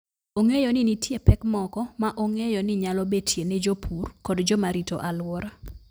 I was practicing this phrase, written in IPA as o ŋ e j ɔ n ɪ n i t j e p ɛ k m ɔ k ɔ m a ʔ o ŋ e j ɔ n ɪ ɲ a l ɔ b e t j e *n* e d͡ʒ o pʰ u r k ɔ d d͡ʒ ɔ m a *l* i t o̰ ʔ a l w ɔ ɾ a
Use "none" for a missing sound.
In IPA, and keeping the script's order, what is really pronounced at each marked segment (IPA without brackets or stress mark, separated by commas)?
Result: n, ɾ